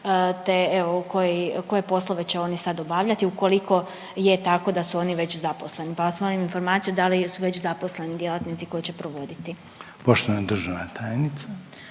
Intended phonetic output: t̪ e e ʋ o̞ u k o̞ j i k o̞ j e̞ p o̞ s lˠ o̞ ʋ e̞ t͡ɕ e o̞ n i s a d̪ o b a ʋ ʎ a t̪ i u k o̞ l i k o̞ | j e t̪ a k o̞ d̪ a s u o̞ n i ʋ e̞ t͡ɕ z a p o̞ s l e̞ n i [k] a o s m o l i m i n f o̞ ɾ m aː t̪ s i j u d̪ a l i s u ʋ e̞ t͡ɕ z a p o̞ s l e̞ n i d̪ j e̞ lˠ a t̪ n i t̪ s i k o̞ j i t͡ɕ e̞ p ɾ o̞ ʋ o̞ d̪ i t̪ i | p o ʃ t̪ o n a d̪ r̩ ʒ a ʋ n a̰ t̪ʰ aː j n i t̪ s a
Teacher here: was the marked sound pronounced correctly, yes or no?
no